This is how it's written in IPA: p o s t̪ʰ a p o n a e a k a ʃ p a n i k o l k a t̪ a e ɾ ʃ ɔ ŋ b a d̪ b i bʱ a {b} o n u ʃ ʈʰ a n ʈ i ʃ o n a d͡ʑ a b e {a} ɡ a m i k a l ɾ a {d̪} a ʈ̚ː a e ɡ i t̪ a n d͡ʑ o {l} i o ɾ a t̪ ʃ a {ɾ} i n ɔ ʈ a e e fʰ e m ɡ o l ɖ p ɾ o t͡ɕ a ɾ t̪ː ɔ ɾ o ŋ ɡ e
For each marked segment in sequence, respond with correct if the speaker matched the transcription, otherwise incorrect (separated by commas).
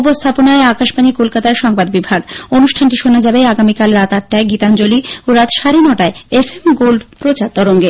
incorrect, correct, incorrect, correct, correct